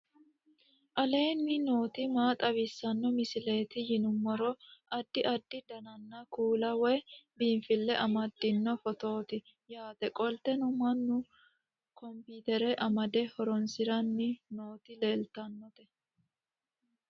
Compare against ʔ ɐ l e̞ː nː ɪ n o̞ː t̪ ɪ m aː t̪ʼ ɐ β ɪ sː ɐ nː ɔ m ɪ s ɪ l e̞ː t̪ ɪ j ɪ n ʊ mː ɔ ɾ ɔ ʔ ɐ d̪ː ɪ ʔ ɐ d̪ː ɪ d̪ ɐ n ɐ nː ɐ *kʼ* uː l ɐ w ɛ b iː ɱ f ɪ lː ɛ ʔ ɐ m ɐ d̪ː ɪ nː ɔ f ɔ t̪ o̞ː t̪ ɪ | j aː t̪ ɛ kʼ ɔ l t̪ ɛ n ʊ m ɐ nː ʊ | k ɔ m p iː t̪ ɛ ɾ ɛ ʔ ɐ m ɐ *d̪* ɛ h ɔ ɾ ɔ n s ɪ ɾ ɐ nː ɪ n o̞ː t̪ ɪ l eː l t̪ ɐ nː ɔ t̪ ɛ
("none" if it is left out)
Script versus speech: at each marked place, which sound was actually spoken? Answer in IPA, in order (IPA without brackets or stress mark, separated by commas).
k, d̪